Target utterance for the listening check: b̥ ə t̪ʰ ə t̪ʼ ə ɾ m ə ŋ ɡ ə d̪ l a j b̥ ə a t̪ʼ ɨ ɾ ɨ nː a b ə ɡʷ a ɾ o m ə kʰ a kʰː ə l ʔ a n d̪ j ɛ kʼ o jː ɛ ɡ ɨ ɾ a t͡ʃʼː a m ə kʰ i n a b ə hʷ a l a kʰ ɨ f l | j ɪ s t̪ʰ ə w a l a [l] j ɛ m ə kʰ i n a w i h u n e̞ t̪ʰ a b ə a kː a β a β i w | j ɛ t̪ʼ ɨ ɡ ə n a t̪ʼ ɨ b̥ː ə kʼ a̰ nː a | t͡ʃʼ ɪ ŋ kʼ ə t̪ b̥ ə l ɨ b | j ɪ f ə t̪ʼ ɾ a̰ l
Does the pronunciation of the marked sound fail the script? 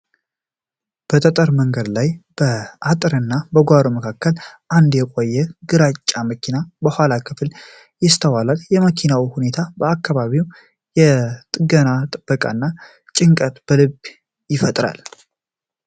no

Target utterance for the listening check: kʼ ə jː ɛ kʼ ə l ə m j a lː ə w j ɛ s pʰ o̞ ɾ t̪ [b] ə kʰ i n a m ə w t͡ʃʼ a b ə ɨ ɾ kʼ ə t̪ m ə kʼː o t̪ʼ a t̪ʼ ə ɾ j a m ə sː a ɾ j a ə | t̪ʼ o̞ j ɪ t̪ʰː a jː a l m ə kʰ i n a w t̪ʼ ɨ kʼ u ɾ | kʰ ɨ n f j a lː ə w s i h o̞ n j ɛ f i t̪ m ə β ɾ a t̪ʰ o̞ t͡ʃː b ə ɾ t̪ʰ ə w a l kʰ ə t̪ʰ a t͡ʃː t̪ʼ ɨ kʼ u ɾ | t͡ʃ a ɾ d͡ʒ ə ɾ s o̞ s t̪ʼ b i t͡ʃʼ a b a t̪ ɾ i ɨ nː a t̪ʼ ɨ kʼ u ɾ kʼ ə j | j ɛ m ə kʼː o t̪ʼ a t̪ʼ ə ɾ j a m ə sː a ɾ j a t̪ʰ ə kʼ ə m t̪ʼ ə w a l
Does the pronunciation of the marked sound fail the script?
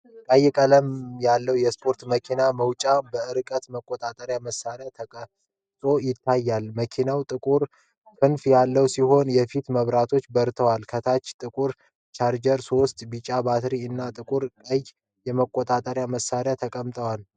yes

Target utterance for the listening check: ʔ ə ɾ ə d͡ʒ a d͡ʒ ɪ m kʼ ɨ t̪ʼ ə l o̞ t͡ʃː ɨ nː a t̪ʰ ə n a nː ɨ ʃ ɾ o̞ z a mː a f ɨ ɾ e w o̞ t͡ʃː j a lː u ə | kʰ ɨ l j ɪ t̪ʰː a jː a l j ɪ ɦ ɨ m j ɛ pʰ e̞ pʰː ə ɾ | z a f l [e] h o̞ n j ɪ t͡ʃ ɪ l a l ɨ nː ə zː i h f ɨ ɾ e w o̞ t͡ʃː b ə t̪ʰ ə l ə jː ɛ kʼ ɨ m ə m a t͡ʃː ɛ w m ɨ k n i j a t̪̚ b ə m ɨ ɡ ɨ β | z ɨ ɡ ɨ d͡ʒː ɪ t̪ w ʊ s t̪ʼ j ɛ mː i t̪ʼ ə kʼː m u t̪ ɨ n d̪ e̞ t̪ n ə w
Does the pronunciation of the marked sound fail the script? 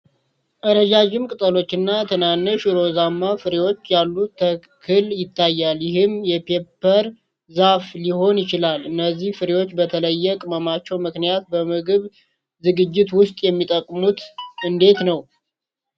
yes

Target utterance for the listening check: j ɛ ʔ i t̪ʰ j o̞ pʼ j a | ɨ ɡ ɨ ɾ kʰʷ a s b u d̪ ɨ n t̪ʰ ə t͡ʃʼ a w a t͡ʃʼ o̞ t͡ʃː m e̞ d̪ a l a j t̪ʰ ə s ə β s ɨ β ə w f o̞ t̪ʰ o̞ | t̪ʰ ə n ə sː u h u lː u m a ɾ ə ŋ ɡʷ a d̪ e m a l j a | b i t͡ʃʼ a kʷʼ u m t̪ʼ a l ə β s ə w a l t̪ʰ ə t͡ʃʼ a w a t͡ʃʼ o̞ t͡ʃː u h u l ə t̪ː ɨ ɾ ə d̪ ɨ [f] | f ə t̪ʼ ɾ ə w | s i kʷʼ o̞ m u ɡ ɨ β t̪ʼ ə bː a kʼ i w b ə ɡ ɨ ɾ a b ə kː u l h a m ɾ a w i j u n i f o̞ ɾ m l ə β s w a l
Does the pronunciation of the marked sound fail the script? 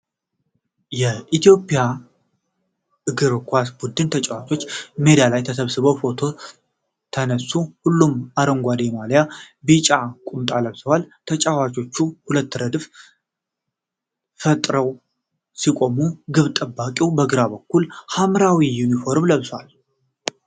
no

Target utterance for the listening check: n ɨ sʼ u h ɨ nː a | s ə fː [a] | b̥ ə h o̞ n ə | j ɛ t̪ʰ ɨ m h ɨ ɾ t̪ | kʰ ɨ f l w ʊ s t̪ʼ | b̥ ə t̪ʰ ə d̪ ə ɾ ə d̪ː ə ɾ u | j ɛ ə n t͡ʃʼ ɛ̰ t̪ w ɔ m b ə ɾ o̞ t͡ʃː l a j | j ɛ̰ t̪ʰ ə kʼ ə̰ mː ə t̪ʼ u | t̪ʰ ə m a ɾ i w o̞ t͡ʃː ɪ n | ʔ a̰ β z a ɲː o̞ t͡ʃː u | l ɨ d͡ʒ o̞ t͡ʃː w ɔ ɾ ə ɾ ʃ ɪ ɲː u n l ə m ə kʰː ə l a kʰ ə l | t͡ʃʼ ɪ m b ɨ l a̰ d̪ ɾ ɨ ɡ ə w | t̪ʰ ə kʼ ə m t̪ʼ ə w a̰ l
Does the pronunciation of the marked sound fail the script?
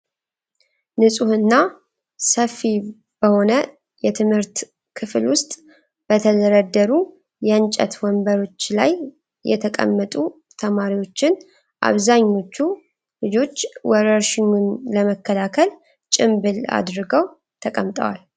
yes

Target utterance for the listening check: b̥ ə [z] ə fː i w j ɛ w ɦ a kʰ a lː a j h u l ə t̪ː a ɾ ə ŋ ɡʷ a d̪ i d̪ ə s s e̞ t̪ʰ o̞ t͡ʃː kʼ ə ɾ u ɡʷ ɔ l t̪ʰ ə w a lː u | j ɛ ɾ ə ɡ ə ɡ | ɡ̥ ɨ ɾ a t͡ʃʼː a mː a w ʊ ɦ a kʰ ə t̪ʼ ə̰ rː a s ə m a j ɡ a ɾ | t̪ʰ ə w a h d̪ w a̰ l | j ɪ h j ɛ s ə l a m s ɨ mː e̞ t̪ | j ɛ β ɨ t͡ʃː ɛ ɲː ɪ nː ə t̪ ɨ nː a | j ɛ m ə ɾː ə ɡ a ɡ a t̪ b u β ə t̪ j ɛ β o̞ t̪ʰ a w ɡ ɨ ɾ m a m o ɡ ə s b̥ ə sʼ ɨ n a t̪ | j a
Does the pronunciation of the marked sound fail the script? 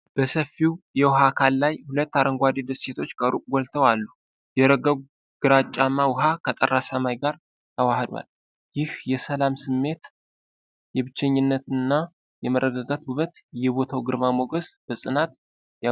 yes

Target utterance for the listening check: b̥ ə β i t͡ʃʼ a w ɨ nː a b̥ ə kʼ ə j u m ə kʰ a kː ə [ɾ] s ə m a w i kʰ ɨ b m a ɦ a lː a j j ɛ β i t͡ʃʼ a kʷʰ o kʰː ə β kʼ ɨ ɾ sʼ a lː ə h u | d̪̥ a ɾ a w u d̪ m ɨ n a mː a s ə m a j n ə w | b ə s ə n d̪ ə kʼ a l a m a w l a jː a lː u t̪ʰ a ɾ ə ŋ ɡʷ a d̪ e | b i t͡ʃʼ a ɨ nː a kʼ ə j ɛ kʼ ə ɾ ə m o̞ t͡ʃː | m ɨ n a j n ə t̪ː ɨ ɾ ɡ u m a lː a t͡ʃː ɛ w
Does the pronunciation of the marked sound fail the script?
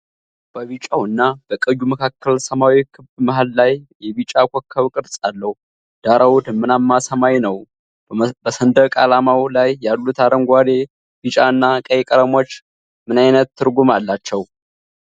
yes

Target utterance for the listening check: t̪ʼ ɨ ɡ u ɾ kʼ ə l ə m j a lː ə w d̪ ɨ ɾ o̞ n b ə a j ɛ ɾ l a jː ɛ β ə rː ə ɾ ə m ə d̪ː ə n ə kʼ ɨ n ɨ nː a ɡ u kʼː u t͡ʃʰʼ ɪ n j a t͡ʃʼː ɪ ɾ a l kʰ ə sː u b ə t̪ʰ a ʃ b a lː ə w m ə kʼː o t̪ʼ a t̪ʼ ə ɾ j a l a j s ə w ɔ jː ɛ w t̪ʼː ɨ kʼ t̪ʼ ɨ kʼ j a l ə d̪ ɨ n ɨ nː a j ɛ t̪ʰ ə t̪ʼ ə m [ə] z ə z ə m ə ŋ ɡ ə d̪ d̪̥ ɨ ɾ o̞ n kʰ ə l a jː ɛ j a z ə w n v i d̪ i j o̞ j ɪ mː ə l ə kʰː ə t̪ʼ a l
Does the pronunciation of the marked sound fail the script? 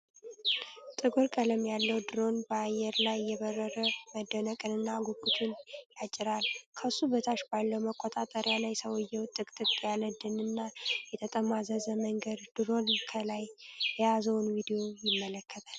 yes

